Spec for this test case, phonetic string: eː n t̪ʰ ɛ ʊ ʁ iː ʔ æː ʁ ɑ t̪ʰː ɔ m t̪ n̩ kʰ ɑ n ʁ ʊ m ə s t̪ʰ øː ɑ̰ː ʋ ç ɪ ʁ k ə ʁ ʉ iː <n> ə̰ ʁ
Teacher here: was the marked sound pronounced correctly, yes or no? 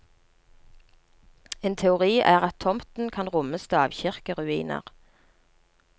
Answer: yes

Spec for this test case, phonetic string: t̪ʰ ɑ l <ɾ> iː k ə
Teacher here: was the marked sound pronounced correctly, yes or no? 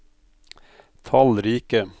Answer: yes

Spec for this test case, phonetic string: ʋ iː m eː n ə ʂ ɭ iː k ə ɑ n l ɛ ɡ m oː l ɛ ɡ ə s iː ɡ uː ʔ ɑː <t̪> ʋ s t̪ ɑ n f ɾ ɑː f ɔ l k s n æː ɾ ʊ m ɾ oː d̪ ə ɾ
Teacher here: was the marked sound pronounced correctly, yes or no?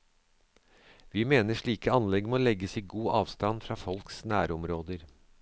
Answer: no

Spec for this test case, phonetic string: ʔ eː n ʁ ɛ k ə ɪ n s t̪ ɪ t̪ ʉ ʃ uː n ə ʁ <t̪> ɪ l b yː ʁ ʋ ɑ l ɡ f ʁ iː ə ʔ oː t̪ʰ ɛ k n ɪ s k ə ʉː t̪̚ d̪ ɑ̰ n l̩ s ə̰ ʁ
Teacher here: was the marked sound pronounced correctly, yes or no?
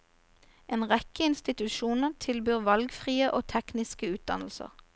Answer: no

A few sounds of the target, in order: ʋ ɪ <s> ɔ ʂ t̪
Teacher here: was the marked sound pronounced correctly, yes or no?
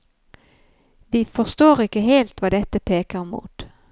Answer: no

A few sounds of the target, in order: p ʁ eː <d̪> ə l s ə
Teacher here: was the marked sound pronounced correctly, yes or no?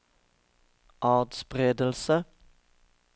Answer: yes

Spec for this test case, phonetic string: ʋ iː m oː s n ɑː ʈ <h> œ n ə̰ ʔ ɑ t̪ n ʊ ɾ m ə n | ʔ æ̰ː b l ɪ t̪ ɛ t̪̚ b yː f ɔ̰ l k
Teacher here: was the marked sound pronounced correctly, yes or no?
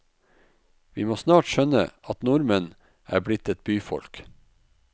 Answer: no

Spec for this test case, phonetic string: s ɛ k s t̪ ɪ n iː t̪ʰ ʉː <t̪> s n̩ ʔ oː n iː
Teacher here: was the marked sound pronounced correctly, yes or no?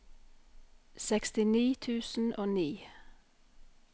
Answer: no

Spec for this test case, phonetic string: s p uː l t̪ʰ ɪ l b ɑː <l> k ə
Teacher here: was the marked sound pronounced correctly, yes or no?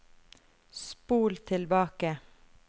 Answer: no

